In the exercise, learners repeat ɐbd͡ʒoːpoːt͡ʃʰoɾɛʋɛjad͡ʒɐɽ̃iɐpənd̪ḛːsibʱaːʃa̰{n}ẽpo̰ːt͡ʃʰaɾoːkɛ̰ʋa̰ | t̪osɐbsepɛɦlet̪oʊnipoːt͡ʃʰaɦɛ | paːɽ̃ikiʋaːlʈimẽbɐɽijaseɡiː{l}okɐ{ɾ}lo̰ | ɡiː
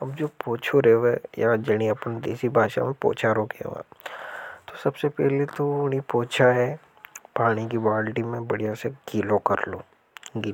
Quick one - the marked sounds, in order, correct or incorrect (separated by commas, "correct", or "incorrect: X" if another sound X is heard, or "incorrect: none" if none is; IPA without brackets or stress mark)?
incorrect: m, correct, correct